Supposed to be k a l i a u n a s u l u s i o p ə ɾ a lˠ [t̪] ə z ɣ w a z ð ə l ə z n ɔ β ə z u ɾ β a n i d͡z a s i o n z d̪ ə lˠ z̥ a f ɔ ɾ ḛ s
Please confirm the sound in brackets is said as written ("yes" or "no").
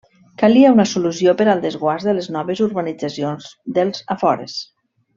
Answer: no